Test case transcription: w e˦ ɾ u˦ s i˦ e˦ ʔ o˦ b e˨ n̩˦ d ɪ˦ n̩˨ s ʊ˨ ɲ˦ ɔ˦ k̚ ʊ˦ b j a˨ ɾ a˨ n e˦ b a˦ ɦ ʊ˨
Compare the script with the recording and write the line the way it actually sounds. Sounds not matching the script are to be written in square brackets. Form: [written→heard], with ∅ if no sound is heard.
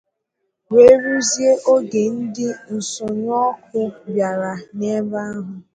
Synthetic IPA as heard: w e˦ ɾ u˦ [s→z] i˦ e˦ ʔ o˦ [b→ɡ] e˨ n̩˦ d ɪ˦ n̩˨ s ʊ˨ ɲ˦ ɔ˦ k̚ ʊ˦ b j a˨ ɾ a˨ n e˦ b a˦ ɦ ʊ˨